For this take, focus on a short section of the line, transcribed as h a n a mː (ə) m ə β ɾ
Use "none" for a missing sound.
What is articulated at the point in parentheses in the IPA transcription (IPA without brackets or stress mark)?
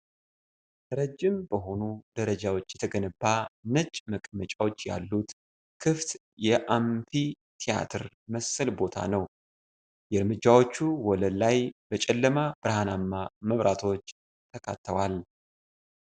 a